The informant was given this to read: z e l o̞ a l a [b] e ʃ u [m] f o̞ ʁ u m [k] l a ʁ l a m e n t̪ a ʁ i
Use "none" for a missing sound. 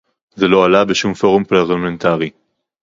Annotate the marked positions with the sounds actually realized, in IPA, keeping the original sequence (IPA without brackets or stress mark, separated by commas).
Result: b, m, p